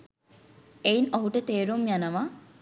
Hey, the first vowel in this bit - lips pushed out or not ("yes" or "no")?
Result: no